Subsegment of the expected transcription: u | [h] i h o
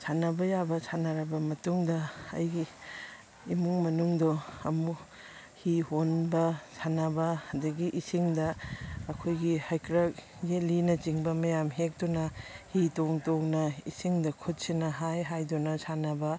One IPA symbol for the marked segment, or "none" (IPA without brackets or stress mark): h